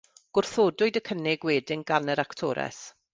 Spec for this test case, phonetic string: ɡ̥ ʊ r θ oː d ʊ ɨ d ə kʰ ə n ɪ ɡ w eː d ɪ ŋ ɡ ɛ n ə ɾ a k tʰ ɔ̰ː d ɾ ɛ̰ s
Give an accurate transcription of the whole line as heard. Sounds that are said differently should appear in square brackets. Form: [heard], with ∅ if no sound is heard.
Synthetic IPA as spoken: ɡ̥ ʊ r θ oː d ʊ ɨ d ə kʰ ə n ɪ ɡ w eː d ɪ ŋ ɡ [a] n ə ɾ a k tʰ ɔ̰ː [∅] ɾ ɛ̰ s